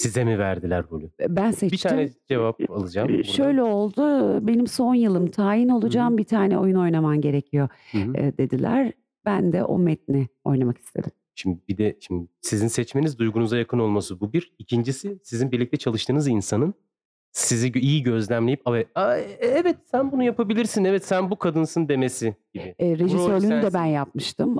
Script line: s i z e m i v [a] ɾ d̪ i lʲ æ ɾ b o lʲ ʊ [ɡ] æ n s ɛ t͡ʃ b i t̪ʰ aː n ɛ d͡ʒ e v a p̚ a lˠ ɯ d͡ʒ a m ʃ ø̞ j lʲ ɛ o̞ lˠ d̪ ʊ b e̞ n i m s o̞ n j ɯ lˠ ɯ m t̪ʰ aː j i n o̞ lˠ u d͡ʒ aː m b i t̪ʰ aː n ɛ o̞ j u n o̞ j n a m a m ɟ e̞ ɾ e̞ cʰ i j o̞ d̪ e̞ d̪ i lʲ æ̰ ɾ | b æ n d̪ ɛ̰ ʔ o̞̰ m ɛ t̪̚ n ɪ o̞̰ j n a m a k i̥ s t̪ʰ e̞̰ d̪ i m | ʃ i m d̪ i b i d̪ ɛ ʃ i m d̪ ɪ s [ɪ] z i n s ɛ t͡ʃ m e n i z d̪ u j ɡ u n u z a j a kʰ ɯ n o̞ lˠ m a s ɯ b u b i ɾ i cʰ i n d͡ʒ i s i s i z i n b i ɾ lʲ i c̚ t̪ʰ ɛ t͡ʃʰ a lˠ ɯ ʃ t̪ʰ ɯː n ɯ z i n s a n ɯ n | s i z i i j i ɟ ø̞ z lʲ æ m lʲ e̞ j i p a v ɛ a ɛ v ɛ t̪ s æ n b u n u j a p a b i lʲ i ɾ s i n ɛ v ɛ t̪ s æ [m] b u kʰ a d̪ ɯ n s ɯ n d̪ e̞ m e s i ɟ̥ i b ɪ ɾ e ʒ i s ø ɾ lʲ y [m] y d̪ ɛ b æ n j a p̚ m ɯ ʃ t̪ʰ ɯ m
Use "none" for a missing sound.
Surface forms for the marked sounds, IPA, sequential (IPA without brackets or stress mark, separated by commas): æ, b, i, n, n